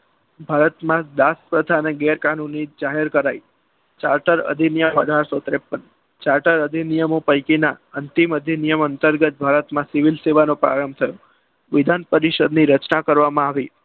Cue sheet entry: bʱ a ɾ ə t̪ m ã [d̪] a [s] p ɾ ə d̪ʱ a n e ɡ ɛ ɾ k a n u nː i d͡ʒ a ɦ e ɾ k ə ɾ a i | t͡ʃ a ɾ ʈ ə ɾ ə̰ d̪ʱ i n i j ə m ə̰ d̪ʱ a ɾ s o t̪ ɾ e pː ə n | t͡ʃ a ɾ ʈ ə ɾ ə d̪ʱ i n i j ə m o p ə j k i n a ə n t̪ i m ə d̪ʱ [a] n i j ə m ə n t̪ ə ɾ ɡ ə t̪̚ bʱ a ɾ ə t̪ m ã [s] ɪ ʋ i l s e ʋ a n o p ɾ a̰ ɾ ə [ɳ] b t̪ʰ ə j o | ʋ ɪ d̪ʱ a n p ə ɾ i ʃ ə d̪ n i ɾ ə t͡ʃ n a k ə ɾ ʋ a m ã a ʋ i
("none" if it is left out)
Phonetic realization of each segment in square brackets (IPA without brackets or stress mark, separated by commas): d̪, s, i, s, m